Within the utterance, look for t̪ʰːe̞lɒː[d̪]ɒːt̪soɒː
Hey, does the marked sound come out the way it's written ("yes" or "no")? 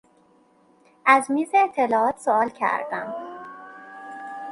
no